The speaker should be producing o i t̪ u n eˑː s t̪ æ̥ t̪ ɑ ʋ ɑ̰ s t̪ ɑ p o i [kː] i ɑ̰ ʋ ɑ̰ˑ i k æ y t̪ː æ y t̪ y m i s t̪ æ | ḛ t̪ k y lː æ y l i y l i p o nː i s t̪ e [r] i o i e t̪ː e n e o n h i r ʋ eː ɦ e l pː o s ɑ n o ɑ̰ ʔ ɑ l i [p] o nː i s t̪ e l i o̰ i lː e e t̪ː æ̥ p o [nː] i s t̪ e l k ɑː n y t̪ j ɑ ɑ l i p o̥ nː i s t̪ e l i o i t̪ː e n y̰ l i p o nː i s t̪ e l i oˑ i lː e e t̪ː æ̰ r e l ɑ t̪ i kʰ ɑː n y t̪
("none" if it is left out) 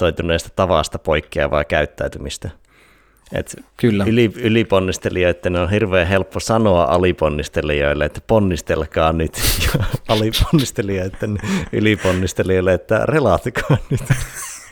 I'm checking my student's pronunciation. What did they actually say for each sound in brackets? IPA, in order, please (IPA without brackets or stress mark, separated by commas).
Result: kː, l, p, nː